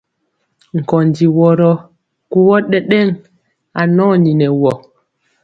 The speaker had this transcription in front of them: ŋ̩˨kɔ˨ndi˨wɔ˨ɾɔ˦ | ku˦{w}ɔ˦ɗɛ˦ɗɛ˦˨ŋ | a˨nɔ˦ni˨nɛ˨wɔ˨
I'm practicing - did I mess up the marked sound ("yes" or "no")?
no